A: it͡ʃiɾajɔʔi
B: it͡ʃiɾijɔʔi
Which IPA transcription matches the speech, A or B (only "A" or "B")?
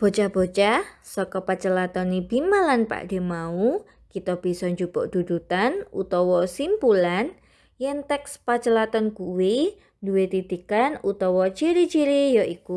B